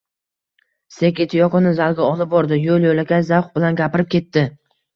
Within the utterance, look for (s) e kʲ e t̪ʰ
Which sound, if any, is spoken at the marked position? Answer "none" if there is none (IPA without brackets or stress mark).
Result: s